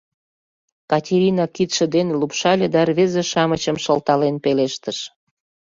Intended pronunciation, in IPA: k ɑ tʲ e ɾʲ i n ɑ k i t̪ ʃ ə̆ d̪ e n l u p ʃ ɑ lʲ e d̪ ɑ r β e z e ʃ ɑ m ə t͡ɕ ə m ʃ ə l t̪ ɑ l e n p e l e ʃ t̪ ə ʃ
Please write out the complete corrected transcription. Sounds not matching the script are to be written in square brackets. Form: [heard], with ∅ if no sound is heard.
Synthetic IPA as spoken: k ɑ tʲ e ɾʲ i n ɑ k i t̪ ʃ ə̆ d̪ e n l u p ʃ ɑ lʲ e d̪ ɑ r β e z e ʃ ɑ m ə t͡ɕ ə m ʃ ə l t̪ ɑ l e n p e l e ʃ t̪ ə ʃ